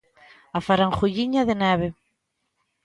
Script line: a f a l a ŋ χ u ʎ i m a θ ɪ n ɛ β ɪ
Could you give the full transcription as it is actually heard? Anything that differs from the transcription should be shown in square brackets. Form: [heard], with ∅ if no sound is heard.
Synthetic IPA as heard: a f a [ɾ] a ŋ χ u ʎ i [ɲ] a [ð] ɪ n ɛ β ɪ